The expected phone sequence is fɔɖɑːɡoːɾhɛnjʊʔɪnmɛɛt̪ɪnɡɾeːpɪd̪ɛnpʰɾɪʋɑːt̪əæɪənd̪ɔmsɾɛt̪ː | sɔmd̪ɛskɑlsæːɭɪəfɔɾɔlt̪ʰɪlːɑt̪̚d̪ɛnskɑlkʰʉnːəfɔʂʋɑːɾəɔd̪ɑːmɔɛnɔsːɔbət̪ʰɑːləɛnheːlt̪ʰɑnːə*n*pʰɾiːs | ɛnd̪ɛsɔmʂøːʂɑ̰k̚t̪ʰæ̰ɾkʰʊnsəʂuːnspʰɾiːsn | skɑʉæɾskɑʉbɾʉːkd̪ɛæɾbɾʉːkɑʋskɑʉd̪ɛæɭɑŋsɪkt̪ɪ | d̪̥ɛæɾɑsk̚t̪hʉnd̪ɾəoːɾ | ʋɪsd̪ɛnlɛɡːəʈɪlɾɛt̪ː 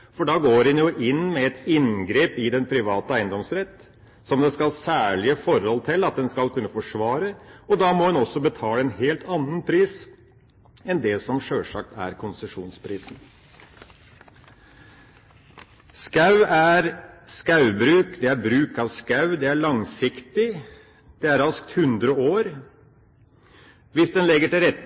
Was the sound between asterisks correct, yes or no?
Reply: yes